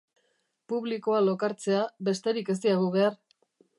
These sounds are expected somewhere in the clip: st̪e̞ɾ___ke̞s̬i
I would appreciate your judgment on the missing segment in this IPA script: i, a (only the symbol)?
i